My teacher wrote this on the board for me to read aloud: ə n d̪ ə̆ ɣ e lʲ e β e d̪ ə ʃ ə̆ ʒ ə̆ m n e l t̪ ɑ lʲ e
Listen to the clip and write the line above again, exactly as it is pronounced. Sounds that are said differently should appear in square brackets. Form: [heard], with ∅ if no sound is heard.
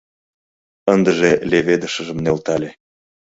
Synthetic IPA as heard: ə n d̪ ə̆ [ʒ] e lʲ e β e d̪ ə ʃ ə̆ ʒ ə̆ m n e l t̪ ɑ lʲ e